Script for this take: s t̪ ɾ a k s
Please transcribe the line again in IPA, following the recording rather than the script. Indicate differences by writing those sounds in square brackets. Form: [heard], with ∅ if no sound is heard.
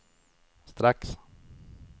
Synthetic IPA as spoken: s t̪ ɾ a k s